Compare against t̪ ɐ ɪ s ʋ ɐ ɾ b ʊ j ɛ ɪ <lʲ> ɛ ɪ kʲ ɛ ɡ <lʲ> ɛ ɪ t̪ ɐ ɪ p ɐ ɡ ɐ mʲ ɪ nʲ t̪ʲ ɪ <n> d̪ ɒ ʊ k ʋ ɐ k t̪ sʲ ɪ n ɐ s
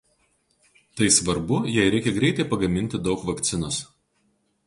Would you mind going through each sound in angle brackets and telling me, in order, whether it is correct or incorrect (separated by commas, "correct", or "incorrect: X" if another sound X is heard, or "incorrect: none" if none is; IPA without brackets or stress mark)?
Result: incorrect: ɾʲ, incorrect: ɾʲ, incorrect: none